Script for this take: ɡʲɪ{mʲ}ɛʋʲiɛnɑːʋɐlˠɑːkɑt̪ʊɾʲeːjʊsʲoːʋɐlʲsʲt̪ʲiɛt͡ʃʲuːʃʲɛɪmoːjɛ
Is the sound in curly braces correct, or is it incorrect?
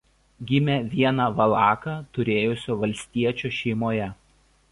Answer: correct